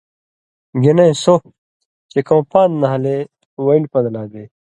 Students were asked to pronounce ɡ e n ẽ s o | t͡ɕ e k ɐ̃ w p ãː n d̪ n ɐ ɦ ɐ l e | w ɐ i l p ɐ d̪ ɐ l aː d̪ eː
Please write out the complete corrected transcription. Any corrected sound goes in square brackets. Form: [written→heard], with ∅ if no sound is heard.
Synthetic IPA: ɡ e n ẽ s o | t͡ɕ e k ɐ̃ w p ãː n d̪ n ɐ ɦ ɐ l e | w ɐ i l p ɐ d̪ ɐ l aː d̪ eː